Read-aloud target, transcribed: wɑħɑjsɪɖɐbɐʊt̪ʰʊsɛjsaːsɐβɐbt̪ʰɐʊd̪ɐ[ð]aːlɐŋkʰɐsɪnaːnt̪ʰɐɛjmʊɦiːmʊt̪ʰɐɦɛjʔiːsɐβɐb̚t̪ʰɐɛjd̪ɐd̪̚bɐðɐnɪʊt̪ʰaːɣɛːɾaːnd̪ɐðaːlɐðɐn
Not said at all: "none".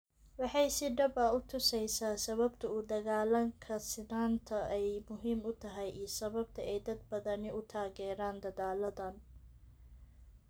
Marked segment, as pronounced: ɣ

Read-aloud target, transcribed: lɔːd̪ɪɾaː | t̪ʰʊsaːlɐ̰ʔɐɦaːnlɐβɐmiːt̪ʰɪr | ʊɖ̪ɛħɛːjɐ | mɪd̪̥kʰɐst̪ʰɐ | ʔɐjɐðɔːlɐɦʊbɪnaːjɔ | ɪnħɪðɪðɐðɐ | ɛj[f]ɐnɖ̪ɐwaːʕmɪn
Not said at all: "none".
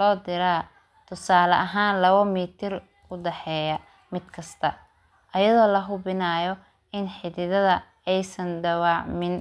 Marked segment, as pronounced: s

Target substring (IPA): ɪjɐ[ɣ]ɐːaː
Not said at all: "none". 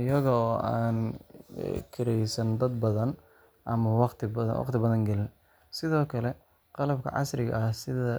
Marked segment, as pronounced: ɣ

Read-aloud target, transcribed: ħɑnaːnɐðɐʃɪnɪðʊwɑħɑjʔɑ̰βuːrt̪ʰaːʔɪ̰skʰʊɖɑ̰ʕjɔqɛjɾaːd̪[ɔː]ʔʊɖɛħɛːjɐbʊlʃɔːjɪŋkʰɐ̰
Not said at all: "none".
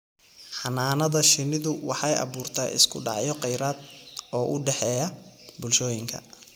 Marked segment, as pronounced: ɔː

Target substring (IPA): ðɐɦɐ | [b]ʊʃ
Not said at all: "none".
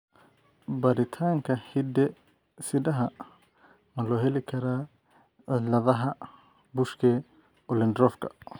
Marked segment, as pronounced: b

